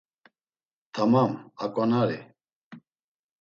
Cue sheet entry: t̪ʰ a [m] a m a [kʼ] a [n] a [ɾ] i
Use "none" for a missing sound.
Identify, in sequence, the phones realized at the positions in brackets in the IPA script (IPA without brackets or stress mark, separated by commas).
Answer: m, kʼ, n, ɾ